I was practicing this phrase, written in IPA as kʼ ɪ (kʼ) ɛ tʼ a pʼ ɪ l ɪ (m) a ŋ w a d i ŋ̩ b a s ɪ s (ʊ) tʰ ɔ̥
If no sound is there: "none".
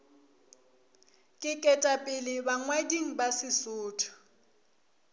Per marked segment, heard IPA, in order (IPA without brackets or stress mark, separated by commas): kʼ, b, ʊː